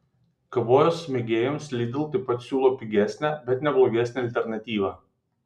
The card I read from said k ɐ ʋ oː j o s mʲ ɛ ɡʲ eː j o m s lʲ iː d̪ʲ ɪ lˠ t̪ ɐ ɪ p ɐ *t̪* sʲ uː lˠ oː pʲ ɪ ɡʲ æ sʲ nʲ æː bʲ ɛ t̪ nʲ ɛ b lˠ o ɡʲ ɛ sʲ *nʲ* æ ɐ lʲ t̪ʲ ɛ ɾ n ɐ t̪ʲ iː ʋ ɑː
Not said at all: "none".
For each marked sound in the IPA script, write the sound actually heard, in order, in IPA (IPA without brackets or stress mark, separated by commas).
t̪, nʲ